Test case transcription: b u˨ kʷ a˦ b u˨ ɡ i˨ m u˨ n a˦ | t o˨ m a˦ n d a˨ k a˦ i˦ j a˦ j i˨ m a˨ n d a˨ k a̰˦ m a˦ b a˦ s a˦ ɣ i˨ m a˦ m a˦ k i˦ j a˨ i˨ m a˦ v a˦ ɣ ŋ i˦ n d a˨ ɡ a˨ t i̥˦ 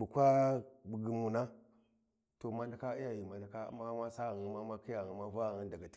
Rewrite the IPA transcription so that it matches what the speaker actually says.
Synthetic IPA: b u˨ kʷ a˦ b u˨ ɡ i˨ m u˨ n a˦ | t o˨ m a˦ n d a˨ k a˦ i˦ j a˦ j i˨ m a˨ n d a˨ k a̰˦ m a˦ m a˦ s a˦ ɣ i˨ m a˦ m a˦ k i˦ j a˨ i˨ m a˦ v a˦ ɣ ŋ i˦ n d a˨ ɡ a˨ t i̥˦